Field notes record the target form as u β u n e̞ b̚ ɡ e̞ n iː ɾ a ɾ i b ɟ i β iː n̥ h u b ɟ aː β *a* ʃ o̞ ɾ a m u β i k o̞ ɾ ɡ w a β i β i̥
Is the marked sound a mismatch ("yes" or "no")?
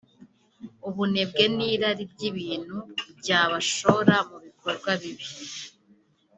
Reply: no